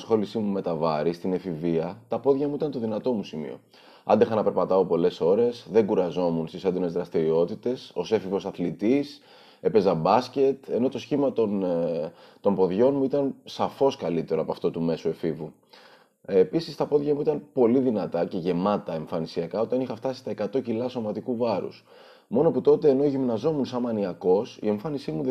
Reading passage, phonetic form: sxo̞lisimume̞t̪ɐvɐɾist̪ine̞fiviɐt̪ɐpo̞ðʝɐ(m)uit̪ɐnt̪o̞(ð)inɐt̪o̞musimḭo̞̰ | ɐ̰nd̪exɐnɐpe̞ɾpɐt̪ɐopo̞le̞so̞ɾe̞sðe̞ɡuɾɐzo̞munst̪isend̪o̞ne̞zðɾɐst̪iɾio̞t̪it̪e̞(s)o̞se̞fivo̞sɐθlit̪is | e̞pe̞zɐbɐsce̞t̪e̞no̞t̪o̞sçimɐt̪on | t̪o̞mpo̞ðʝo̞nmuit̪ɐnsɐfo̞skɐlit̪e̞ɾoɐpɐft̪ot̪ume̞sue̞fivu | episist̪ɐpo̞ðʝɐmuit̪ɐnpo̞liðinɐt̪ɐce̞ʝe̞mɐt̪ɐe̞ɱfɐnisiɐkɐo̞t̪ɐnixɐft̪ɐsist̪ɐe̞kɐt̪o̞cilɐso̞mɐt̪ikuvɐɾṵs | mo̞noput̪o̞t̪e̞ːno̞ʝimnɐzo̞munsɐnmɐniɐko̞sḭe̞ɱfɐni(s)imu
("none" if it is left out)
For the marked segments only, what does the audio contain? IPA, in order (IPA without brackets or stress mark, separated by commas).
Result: m, ð, s, s